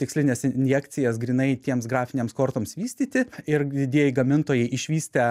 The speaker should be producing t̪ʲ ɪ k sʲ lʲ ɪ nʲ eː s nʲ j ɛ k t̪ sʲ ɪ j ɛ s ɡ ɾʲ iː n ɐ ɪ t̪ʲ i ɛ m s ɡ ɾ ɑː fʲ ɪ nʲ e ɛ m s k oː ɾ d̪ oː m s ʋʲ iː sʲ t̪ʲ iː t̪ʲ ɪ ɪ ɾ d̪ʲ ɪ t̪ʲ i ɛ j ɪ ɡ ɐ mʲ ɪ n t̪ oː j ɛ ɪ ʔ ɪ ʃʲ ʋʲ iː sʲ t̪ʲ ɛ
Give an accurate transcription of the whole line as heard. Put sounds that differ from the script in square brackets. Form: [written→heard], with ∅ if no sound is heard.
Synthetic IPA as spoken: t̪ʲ ɪ k sʲ lʲ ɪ nʲ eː s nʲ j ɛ k t̪ sʲ ɪ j ɛ s ɡ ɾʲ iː n ɐ ɪ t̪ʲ i ɛ m s ɡ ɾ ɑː fʲ ɪ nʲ e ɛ m s k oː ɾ [d̪→t̪] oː m s ʋʲ iː sʲ t̪ʲ iː t̪ʲ ɪ ɪ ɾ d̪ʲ ɪ [t̪ʲ→d̪ʲ] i ɛ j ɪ ɡ ɐ mʲ ɪ n t̪ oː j ɛ ɪ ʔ ɪ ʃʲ ʋʲ iː sʲ t̪ʲ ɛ